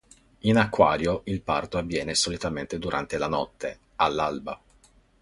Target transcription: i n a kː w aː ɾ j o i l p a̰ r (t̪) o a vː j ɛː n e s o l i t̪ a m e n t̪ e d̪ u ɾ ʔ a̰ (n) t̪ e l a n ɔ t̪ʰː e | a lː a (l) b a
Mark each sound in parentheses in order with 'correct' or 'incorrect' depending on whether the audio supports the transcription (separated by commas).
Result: correct, correct, correct